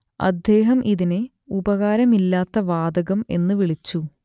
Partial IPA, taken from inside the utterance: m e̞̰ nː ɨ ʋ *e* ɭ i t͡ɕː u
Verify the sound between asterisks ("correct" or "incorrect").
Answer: incorrect